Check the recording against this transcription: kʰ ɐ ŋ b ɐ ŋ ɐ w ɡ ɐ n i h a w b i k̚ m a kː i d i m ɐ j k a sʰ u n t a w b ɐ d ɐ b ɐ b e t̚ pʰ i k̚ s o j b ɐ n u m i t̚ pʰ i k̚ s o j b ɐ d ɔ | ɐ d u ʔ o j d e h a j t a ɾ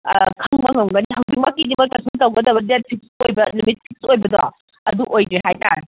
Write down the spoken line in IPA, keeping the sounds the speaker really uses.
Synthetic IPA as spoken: kʰ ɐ ŋ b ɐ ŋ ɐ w ɡ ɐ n i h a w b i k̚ m a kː i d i m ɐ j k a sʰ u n t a w ɡ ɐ d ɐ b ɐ d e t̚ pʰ i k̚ s o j b ɐ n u m i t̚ pʰ i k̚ s o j b ɐ d ɔ | ɐ d u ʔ o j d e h a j t a ɾ